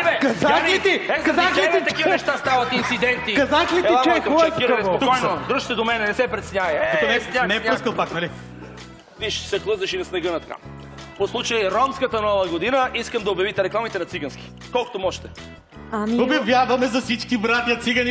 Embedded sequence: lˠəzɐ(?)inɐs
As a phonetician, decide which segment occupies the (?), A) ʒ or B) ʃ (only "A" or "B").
B